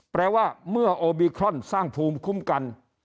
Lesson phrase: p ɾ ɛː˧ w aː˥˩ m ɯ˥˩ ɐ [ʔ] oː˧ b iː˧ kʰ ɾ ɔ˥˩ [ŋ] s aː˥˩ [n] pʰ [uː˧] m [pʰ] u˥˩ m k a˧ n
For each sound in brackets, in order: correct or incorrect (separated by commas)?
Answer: correct, incorrect, incorrect, correct, incorrect